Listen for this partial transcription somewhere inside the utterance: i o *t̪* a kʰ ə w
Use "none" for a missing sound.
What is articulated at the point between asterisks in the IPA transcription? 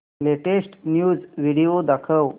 d̪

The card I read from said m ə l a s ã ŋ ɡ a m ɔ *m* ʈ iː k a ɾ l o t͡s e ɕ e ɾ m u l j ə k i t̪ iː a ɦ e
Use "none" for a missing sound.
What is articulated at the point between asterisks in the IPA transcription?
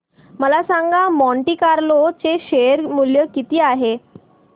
ɳ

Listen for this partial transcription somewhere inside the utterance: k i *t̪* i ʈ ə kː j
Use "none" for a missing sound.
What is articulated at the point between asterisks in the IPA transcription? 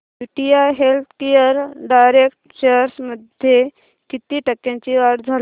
t̪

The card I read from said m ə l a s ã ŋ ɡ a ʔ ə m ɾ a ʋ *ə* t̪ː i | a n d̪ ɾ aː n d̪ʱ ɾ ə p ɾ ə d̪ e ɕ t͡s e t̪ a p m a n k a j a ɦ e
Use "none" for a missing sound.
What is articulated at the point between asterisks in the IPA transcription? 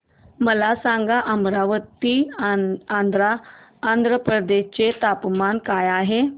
ə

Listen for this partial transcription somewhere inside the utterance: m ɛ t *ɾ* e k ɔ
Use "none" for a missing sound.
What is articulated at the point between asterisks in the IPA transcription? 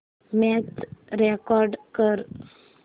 ɾ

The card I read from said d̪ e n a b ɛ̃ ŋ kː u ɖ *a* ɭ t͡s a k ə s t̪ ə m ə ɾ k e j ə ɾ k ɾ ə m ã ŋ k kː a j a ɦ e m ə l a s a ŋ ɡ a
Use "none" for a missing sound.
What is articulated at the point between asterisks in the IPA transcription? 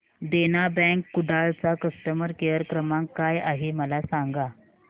a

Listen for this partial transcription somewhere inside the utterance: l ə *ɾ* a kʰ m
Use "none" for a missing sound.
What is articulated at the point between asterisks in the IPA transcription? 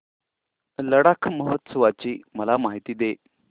ɽ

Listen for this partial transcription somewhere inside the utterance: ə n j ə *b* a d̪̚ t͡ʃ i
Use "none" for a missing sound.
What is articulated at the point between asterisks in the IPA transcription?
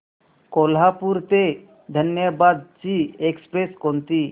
b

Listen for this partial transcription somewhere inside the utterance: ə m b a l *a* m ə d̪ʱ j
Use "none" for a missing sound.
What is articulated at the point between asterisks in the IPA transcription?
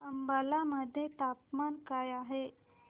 a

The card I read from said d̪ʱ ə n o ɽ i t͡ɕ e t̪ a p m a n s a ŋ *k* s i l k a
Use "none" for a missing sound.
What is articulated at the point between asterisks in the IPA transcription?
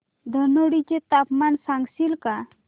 ɡ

